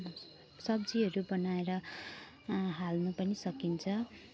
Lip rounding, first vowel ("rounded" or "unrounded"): unrounded